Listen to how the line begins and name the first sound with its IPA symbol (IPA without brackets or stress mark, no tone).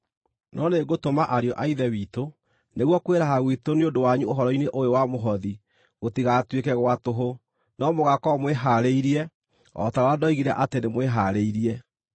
n